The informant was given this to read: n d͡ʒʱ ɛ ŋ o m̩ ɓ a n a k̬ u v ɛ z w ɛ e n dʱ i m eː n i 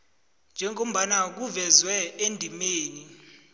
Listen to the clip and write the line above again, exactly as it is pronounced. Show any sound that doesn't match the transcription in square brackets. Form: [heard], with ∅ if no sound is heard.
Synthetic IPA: n d͡ʒʱ ɛ ŋ o m̩ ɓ a n a k̬ u v ɛ z w ɛ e n dʱ i m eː n i